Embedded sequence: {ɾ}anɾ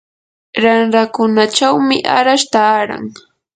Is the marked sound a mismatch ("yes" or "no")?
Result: no